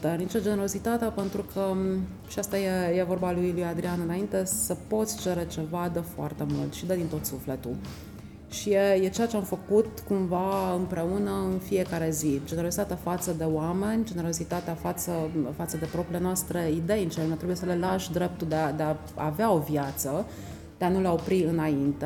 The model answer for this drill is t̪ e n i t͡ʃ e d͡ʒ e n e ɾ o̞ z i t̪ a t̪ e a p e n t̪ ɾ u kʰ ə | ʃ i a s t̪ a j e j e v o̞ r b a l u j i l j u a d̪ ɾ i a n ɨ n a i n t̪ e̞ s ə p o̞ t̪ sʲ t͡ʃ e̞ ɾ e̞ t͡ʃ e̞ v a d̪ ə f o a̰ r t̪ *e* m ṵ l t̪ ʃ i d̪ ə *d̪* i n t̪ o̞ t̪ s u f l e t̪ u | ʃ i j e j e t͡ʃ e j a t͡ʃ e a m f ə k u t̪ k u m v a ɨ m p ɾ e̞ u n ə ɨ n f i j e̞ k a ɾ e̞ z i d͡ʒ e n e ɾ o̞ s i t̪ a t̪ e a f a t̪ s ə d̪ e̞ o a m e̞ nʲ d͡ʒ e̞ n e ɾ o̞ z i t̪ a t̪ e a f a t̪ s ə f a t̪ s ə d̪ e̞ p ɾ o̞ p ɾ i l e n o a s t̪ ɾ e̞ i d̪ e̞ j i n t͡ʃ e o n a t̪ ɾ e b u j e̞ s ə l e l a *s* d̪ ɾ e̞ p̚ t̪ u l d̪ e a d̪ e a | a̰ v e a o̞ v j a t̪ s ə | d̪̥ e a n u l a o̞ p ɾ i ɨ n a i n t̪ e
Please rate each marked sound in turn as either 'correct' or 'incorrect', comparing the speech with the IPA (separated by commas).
correct, correct, incorrect